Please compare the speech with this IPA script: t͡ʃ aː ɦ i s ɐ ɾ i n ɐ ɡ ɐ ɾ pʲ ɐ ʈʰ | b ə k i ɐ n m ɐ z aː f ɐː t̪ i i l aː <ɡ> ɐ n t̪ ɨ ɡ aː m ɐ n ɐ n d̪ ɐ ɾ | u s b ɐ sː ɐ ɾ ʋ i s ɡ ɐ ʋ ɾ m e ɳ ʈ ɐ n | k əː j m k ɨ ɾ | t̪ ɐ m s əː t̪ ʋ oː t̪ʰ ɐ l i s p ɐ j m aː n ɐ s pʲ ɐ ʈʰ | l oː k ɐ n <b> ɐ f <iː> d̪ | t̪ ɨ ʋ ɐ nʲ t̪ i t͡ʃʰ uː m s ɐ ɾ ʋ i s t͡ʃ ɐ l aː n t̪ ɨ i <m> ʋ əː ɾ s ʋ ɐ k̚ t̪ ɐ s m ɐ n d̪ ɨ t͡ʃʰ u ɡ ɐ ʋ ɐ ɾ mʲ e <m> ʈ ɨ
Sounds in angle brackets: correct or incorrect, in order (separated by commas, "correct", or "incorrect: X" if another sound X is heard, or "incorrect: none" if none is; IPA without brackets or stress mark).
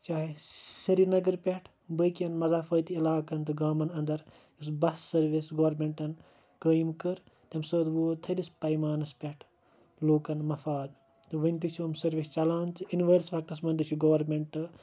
incorrect: k, incorrect: m, incorrect: aː, incorrect: n, incorrect: ɳ